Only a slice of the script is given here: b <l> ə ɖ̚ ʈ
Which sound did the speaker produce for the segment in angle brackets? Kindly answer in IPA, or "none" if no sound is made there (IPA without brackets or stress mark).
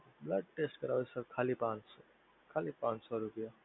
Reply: l